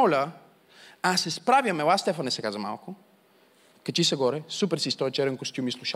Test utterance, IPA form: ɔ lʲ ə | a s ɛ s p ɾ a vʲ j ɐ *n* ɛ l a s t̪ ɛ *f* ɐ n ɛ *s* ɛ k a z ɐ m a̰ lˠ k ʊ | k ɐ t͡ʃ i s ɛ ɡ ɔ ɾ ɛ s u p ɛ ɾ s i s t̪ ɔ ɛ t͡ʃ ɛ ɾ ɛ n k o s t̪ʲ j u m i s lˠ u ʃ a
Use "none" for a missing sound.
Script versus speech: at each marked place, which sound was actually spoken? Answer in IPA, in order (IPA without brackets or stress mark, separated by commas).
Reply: m, f, s